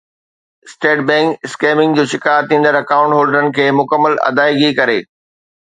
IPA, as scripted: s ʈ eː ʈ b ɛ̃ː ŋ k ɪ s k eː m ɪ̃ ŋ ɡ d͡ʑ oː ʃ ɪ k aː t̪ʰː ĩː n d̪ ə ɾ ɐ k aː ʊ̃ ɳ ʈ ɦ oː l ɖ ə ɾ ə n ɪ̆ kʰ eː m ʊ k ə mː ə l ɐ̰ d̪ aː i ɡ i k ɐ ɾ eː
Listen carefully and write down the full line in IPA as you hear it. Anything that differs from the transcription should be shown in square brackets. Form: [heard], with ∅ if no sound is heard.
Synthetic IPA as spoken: s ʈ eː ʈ b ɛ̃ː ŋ k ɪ s k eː m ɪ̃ ŋ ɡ d͡ʑ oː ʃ ɪ k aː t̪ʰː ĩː n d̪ ə ɾ ɐ k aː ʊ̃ ɳ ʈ ɦ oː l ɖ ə ɾ ə n ɪ̆ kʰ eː m ʊ k ə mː ə l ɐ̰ d̪ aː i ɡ i k ɐ ɾ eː